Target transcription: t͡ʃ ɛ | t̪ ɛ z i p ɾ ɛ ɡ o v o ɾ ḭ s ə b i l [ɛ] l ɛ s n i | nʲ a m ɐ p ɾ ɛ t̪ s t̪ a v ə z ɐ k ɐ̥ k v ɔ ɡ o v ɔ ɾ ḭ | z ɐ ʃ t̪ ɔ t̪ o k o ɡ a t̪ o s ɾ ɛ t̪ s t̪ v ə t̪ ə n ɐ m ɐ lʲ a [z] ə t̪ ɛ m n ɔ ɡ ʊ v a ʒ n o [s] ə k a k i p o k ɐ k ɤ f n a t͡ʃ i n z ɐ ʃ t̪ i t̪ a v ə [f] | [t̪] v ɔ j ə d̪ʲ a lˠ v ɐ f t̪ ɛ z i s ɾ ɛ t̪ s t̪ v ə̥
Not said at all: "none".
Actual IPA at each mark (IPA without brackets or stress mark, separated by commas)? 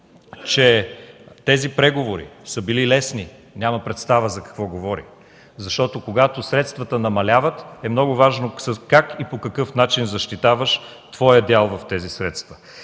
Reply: i, v, s, ʃ, t̪